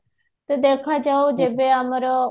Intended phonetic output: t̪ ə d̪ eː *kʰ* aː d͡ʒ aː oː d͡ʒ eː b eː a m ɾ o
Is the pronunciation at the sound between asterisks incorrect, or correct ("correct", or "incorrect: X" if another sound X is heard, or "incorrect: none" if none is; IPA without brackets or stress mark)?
correct